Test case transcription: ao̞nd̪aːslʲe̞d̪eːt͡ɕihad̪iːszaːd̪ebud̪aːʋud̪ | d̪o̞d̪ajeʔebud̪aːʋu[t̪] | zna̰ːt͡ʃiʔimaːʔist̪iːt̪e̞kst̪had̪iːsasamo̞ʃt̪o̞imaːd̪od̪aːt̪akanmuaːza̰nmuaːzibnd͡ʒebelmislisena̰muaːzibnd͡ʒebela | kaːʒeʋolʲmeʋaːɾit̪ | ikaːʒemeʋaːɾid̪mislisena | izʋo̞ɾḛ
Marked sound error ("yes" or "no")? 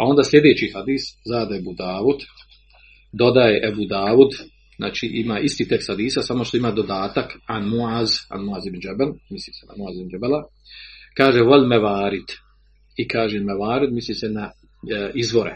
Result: yes